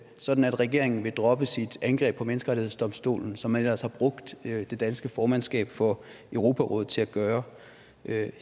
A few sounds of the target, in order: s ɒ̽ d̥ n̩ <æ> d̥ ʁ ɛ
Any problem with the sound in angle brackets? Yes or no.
no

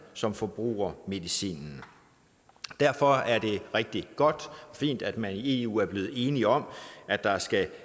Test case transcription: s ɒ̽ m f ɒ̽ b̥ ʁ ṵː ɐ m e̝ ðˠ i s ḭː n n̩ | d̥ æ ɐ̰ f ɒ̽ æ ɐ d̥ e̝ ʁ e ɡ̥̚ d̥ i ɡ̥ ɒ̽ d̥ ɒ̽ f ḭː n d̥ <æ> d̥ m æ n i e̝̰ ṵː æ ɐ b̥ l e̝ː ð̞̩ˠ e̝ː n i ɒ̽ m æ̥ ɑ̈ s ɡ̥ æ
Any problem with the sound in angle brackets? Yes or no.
no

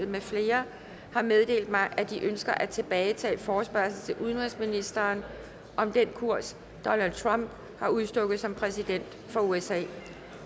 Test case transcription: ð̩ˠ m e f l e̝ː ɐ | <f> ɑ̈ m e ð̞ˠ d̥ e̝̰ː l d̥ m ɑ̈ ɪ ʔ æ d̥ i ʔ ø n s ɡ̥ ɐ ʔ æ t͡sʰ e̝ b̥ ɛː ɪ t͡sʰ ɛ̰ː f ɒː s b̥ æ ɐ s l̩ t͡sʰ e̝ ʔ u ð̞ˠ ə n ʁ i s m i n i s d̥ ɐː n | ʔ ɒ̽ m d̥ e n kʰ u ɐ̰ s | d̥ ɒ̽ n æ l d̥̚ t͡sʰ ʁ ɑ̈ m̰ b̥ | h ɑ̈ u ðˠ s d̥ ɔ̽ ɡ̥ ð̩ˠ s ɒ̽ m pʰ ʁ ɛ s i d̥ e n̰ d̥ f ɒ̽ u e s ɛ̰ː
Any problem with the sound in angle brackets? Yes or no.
yes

